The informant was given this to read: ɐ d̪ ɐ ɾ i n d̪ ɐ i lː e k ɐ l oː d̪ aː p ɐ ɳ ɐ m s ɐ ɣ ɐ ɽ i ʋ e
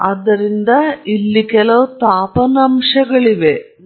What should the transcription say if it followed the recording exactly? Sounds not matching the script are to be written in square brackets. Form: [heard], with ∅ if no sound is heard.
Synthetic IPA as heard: ɐ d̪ ɐ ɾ i n d̪ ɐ i lː [i] k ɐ l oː [t̪] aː p ɐ [n] ɐ m [ʂ] ɐ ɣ ɐ [ɭ] i ʋ e